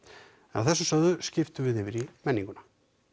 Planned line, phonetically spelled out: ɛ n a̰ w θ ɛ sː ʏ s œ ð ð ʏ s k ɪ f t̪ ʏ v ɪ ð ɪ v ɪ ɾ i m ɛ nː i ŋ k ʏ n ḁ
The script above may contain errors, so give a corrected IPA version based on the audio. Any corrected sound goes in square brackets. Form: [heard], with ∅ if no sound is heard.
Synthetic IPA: ɛ n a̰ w θ ɛ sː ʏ s œ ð ð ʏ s [c] ɪ f t̪ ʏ v ɪ ð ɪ v ɪ ɾ i m ɛ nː i ŋ k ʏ n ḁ